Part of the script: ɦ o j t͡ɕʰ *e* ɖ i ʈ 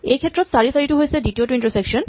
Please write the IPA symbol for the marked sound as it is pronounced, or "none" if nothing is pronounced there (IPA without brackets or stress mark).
e